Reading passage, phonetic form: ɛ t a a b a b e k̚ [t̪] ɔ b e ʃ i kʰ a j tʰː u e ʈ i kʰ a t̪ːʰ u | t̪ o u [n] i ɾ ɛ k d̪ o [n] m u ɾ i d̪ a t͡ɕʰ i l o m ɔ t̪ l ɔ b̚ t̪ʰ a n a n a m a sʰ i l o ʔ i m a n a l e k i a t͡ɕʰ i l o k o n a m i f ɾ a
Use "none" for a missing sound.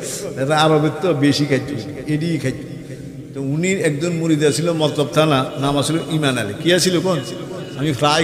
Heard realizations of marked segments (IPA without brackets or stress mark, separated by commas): t̪, n, n